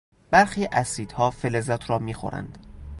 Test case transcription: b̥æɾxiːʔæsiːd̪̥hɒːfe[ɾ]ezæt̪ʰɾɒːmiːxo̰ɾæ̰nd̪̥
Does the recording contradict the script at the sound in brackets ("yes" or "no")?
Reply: yes